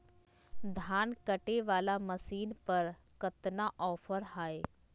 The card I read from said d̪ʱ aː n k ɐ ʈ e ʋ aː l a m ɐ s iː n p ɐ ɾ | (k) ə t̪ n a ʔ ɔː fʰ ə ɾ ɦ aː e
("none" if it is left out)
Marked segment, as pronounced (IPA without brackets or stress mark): k